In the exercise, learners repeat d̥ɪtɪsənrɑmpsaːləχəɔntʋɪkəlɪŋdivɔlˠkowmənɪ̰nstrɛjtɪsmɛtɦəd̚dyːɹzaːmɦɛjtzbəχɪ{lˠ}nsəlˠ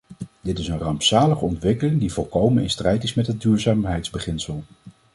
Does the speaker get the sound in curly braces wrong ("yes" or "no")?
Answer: yes